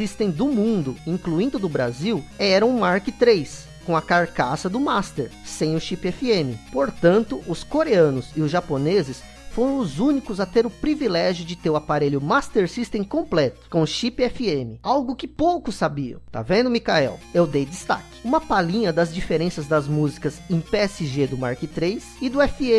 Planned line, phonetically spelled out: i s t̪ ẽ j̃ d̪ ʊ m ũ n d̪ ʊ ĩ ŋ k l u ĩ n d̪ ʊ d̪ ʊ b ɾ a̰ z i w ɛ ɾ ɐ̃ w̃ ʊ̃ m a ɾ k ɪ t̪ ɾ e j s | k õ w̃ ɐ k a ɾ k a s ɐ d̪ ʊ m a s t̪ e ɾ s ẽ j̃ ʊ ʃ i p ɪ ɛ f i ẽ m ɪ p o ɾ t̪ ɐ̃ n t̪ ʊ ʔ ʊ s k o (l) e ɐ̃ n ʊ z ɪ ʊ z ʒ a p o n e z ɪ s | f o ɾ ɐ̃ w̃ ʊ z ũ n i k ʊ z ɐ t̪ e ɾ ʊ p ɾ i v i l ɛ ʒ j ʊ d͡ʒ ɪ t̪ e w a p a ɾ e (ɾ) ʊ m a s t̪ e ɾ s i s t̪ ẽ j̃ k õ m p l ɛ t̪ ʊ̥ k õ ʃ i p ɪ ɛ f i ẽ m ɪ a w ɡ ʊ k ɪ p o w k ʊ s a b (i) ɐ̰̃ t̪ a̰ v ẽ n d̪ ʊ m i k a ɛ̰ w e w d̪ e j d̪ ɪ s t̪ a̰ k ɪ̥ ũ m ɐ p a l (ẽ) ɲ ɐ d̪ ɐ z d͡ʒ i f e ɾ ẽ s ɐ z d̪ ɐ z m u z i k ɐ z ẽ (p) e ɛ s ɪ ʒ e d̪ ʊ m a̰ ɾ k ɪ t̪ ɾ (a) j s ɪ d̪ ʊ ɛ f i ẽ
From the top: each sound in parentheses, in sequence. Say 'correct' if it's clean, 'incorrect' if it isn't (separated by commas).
incorrect, incorrect, correct, incorrect, correct, incorrect